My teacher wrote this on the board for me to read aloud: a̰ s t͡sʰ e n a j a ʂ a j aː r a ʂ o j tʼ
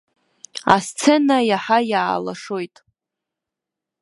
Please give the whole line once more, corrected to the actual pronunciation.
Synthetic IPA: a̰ s t͡sʰ e n a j a ħ a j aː l a ʂ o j tʼ